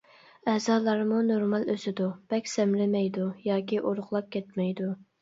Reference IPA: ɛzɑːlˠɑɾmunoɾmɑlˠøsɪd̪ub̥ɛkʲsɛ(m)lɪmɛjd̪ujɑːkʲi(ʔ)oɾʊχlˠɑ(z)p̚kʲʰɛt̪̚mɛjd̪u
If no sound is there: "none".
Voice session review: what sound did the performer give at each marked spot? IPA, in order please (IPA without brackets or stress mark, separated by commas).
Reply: m, ʔ, none